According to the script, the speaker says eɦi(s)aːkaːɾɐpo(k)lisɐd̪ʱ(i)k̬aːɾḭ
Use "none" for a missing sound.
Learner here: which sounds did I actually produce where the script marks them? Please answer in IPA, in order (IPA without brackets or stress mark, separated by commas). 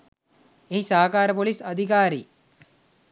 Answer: s, none, i